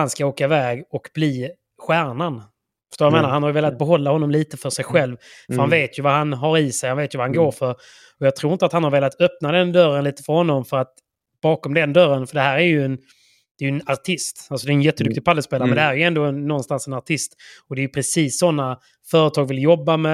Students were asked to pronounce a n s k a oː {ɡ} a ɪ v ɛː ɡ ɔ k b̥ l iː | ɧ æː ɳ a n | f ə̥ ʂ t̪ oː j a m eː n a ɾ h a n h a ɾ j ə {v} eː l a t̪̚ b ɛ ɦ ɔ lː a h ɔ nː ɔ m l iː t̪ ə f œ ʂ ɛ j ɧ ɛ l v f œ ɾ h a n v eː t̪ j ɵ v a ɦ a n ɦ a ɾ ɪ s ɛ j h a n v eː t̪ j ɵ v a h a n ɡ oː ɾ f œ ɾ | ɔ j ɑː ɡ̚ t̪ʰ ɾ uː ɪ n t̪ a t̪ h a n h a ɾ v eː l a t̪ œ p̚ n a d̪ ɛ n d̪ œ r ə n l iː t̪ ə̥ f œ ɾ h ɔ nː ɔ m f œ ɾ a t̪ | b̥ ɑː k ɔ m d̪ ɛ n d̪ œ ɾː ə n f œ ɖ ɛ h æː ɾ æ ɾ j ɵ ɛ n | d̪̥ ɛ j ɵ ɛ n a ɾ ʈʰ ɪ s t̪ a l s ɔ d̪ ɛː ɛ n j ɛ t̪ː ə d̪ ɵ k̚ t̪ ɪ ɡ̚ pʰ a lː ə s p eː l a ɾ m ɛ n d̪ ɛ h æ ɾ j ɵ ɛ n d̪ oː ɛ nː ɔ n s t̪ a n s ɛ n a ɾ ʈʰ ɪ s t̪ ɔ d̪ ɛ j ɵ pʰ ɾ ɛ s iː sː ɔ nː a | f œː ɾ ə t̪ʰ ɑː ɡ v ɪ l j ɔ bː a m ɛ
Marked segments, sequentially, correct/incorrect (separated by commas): incorrect, correct